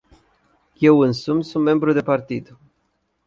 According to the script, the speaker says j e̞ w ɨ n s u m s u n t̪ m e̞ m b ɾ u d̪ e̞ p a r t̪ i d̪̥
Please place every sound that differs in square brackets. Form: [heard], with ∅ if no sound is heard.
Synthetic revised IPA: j e̞ w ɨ n s u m s u n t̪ m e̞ m b ɾ u d̪ e̞ p a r t̪ i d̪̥